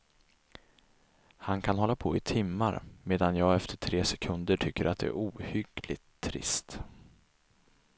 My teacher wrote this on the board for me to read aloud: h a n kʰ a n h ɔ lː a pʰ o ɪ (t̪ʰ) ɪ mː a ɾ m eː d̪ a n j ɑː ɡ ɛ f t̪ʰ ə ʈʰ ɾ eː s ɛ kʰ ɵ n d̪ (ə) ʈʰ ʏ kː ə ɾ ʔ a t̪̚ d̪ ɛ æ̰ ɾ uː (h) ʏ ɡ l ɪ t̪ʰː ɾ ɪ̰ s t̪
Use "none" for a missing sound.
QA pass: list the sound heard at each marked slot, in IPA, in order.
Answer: t̪ʰ, ə, h

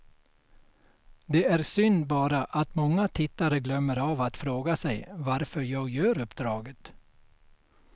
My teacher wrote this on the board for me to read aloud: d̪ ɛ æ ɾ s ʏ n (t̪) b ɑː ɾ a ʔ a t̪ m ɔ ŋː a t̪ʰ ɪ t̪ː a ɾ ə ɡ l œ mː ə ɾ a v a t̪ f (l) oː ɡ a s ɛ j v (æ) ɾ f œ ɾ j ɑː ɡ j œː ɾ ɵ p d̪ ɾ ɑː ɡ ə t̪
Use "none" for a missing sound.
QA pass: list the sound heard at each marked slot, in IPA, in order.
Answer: d̪, ɾ, a

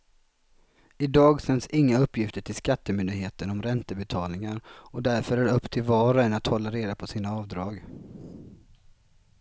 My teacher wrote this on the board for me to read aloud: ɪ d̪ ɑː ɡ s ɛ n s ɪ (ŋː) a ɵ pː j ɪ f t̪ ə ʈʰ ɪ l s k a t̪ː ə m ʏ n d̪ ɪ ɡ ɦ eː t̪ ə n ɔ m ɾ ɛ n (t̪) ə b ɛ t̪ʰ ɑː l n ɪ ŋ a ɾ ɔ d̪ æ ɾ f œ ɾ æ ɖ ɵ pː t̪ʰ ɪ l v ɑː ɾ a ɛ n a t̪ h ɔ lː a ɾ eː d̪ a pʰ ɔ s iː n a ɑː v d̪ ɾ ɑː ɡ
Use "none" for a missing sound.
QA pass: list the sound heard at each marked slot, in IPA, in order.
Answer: ŋː, t̪

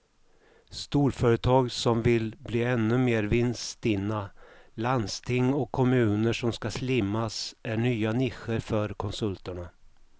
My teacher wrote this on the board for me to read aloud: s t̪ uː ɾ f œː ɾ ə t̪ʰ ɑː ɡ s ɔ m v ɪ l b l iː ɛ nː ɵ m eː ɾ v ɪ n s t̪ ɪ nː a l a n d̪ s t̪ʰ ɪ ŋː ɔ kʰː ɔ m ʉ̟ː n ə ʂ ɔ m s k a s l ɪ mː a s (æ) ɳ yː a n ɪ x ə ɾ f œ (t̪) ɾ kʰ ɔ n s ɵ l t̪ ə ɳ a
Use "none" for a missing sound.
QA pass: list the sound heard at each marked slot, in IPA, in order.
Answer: æ, none

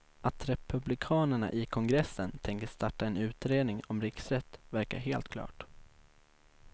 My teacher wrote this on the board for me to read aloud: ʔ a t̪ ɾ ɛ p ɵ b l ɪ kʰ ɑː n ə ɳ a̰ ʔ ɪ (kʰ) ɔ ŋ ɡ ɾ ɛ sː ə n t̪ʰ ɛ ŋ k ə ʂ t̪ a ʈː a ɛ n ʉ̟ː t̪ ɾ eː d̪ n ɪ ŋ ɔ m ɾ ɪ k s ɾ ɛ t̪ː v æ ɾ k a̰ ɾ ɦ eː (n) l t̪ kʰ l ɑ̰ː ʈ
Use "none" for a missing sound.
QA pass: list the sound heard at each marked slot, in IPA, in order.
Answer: kʰ, none

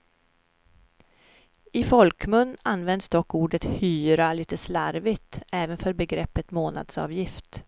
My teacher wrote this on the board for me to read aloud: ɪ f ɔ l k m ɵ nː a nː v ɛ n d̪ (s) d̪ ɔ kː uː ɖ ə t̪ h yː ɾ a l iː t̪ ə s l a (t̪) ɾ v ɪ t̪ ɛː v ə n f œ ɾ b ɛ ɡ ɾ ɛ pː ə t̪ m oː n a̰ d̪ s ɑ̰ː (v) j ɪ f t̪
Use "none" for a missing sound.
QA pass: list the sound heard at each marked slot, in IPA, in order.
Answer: s, none, v

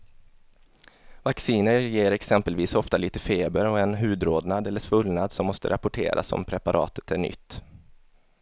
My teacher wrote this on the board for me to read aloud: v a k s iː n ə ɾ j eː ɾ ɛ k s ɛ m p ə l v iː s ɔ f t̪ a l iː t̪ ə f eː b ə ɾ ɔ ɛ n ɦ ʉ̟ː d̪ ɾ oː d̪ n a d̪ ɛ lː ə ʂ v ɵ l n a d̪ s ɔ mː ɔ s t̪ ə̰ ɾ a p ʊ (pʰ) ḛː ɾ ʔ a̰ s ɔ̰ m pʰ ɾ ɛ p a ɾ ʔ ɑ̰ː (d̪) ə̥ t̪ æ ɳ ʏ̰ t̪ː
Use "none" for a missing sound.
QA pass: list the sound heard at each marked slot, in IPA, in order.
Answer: ʈʰ, t̪

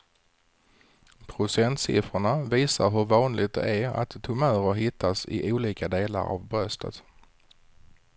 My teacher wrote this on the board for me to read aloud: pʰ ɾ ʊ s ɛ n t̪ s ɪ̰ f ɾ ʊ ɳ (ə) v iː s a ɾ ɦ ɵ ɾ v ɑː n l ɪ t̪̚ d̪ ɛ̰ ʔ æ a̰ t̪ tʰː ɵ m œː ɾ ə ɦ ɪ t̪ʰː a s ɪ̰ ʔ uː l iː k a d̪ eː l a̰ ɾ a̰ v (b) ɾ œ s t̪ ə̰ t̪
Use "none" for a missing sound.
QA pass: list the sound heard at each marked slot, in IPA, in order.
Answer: a, b

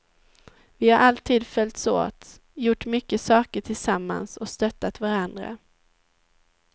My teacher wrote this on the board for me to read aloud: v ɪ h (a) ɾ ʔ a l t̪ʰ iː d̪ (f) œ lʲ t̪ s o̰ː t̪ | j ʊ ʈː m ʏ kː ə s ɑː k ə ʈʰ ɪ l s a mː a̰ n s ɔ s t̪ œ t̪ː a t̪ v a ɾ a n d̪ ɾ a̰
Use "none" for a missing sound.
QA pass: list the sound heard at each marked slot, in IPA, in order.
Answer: a, f

